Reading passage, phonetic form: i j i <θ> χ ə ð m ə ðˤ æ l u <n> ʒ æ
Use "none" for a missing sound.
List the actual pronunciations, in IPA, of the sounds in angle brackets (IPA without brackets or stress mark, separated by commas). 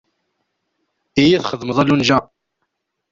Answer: θ, n